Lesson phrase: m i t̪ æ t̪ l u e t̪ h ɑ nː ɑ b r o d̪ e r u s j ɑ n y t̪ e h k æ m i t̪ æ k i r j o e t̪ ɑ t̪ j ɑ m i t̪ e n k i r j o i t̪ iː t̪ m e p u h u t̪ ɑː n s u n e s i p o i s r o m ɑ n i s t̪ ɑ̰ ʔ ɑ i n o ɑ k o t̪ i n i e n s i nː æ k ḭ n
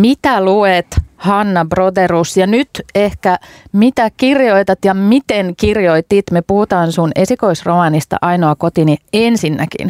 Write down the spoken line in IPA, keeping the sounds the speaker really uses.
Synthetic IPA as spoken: m i t̪ æ l u e t̪ h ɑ nː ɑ b r o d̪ e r u s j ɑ n y t̪ e h k æ m i t̪ æ k i r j o i t̪ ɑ t̪ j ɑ m i t̪ e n k i r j o i t̪ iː t̪ m e p u h u t̪ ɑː n s u n e s i k o i s r o m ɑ n i s t̪ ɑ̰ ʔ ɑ i n o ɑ k o t̪ i n i e n s i nː æ k ḭ n